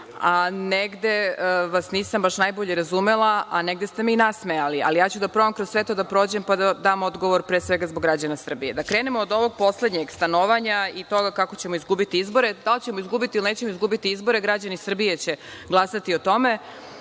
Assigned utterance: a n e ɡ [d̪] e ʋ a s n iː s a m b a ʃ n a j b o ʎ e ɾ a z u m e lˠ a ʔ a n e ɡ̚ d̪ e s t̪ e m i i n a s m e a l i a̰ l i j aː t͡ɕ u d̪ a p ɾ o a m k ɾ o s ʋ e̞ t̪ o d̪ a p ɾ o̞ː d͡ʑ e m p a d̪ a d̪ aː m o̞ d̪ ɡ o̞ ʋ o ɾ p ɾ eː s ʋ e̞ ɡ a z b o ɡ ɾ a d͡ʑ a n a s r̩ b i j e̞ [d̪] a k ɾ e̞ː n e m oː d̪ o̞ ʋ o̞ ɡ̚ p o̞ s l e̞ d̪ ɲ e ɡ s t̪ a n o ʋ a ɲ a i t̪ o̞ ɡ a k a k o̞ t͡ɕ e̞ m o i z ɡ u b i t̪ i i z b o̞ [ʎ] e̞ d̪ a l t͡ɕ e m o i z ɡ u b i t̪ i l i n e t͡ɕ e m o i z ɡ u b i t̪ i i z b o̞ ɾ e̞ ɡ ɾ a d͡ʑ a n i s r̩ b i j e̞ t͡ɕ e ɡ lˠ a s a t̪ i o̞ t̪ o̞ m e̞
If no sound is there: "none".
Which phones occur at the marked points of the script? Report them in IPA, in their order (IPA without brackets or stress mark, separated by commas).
d̪, d̪, ɾ